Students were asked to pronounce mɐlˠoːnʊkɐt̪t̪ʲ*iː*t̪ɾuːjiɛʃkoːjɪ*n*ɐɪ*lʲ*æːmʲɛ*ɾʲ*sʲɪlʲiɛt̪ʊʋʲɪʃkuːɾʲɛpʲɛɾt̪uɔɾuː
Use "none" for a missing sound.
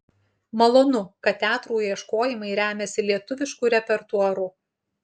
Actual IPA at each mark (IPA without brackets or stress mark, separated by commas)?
æː, m, ɾʲ, none